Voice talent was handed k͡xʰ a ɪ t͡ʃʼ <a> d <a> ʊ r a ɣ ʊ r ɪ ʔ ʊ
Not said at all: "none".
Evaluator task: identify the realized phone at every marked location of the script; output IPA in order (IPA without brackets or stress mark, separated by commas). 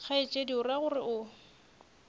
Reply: e, i